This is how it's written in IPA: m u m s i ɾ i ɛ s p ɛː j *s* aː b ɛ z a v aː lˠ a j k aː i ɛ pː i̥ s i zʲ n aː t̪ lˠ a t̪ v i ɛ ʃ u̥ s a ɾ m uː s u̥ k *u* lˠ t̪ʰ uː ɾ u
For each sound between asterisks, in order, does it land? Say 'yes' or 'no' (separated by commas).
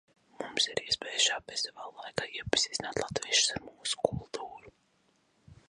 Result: no, yes